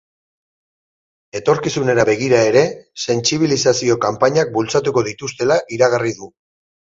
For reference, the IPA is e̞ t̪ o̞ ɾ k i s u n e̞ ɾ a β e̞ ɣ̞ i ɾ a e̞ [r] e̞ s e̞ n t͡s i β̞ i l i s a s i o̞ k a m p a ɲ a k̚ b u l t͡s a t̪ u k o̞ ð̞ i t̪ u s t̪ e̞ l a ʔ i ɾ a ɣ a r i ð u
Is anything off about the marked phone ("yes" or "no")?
yes